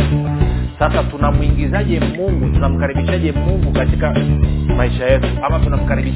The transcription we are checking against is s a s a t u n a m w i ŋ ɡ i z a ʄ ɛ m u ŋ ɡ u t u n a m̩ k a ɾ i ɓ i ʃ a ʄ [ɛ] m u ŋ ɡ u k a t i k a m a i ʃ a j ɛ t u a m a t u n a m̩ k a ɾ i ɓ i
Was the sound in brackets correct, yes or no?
yes